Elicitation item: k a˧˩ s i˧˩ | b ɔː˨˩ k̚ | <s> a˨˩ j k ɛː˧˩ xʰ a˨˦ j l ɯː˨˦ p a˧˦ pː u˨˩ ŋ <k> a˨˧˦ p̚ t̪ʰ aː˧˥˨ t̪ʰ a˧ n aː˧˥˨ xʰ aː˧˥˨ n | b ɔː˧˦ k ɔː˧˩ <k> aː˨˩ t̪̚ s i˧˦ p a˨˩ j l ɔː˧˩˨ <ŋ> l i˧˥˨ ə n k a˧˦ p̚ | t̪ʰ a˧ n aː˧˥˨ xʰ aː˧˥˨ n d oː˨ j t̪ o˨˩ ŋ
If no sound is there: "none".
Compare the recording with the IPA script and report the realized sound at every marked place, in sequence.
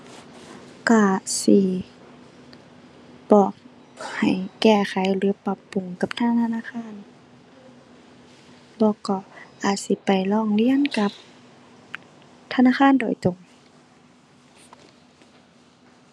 h, k, ʔ, ŋ

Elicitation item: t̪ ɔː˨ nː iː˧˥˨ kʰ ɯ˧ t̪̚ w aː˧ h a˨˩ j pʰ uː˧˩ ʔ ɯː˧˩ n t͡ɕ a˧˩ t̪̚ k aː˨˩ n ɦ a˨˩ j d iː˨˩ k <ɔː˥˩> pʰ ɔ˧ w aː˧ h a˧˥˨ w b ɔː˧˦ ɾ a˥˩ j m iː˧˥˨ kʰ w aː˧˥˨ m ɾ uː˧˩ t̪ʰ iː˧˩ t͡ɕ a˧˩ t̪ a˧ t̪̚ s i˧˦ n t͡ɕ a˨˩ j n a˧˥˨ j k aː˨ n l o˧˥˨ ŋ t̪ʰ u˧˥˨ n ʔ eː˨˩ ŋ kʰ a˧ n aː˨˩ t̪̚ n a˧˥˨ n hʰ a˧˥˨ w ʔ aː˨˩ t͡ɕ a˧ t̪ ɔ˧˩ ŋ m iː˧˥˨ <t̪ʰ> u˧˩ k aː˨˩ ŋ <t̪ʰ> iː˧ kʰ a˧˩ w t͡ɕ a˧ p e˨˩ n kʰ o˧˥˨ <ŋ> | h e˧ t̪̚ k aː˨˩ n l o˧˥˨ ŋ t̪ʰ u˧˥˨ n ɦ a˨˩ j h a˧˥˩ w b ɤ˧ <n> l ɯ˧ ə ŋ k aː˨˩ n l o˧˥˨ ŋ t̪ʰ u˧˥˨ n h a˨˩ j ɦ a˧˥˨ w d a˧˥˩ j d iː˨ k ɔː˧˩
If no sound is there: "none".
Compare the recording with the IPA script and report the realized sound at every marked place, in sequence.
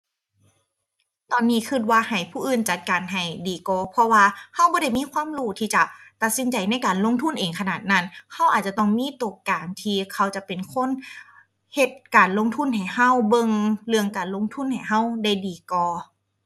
ɔː˧, t̪, t̪ʰ, n, ŋ

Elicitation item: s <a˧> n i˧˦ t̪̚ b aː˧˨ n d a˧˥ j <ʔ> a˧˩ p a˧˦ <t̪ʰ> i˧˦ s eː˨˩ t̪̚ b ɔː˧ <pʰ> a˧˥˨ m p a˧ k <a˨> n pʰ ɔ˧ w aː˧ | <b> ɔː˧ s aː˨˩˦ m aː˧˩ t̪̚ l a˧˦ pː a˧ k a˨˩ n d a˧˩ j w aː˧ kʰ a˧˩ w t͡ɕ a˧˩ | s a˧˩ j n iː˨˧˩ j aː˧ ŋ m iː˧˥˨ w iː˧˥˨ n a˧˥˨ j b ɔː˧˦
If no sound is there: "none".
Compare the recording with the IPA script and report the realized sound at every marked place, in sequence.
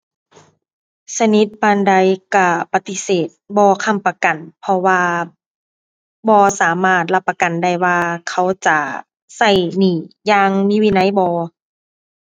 a˧, k, t̪, kʰ, a˨, b

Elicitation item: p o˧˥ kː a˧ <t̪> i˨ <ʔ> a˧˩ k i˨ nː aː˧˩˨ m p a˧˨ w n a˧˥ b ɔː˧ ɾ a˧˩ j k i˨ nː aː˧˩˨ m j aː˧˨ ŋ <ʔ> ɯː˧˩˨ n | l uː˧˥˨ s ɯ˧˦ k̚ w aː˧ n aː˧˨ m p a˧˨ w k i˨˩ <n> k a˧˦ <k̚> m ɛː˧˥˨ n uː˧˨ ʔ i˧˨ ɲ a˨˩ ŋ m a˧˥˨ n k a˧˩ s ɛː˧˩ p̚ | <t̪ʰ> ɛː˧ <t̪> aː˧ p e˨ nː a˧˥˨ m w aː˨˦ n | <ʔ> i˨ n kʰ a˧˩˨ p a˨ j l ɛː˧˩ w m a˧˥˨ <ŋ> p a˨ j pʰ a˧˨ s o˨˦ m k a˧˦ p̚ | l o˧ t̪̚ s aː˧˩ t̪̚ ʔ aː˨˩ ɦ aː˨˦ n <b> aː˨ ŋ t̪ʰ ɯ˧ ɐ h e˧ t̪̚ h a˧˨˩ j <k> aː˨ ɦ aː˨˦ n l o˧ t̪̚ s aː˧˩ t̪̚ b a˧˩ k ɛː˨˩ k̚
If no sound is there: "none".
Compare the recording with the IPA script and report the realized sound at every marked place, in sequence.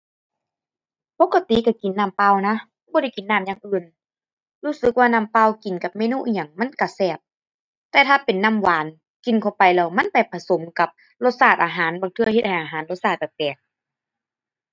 t̪, k, ʔ, n, p̚, t̪, t̪ʰ, k, n, b, ʔ

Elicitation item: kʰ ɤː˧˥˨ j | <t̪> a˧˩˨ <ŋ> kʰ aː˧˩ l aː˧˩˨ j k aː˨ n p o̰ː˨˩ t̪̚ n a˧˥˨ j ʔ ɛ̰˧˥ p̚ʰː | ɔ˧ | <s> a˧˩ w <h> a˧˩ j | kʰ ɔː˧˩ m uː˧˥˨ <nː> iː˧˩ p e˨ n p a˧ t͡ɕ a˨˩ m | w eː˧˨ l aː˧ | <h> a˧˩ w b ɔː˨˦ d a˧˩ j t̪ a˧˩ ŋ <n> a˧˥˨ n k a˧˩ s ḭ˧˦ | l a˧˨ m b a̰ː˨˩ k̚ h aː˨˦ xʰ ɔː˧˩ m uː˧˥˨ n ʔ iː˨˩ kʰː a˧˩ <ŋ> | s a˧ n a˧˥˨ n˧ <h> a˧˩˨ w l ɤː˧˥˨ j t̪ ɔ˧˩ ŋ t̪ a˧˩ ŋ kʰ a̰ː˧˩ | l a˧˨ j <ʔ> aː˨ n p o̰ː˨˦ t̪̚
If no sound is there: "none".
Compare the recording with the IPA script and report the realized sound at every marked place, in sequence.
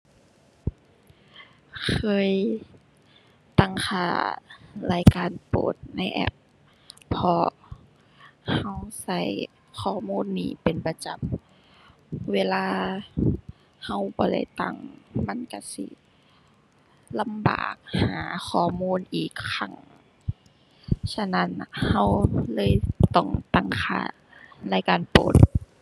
t̪, ŋ, h, s, nː, h, m, ŋ, h, k

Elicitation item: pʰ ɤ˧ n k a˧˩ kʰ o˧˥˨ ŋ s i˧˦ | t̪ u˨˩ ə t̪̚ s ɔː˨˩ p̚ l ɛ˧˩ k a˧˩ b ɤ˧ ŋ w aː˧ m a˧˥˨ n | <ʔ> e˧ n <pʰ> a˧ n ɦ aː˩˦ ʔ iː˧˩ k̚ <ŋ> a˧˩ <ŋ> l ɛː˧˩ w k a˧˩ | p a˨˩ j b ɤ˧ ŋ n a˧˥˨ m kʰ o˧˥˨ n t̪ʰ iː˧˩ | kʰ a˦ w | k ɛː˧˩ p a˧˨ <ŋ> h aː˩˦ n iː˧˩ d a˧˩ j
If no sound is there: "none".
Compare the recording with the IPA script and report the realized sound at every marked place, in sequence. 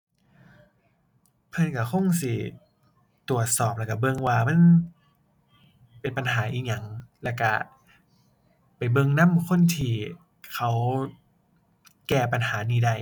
p, p, ɲ, ŋ, n

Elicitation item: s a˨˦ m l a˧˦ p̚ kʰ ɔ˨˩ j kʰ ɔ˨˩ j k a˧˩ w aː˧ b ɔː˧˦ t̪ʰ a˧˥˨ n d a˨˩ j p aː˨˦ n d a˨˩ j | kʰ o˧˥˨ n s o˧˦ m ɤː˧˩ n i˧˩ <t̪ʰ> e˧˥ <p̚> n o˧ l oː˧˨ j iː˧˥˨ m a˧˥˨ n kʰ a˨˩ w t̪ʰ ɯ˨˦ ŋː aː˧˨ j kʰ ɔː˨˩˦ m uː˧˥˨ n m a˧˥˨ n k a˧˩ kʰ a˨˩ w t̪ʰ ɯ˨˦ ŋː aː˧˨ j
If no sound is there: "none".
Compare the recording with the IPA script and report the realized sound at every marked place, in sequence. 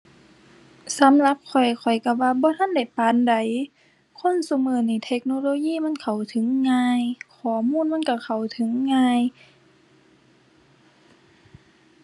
t̪ʰ, k̚

